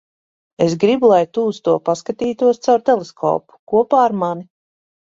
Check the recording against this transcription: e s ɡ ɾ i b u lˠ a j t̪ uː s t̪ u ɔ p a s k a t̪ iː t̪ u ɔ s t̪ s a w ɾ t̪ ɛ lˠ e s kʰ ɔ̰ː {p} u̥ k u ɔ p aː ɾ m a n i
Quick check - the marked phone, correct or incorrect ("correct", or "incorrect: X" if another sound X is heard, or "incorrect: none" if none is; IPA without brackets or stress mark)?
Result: correct